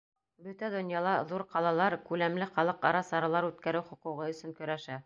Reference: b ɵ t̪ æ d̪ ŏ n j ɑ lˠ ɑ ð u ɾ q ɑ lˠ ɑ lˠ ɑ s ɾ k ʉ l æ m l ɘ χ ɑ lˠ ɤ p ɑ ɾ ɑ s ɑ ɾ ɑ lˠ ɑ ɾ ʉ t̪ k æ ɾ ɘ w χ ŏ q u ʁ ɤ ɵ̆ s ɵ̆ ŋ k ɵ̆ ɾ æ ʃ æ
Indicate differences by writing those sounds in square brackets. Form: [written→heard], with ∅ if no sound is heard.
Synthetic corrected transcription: b ɵ t̪ æ d̪ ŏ n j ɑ lˠ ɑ ð u ɾ q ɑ lˠ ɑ lˠ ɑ [s→∅] ɾ k ʉ l æ m l ɘ χ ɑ lˠ ɤ [p→q] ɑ ɾ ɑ s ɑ ɾ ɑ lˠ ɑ ɾ ʉ t̪ k æ ɾ ɘ w χ ŏ q u ʁ ɤ ɵ̆ s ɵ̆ ŋ k ɵ̆ ɾ æ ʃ æ